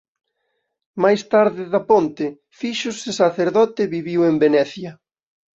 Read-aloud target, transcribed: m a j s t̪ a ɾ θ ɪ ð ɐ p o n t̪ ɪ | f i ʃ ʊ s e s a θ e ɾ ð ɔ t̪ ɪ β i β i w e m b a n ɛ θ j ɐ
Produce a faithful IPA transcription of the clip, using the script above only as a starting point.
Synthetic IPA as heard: m a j s t̪ a ɾ ð ɪ ð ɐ p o n t̪ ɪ | f i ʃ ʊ s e s a θ e ɾ ð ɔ t̪ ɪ β i β i w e m b e n ɛ θ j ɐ